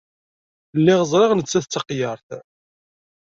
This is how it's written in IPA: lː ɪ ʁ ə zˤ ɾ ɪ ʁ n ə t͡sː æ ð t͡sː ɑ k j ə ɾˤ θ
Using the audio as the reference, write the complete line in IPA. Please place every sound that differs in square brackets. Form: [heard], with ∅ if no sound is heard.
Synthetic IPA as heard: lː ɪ ʁ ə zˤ ɾ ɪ ʁ n ə t͡sː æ [θ] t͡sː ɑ [q] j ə ɾˤ θ

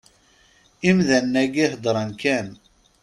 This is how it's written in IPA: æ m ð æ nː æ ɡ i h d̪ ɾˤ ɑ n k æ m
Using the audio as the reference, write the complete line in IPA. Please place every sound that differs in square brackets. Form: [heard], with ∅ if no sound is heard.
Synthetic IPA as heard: [i] m ð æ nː æ ɡ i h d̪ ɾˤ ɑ n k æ [n]

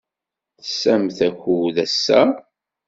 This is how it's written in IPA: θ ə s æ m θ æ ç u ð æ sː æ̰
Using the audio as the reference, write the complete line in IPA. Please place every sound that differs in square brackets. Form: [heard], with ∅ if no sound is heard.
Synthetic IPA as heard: θ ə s æ m θ æ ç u ð æ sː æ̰

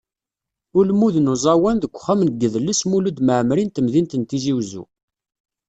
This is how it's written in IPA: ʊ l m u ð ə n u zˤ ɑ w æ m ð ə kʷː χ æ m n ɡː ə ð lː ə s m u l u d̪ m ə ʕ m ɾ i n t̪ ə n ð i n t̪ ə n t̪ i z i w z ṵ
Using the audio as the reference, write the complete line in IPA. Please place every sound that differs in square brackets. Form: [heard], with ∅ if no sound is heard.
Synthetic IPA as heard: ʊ l m u ð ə n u zˤ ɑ w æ [n] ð ə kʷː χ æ m n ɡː ə ð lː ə s m u l u d̪ m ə ʕ m ɾ i n t̪ ə [m] ð i n t̪ ə n t̪ i z i w z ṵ

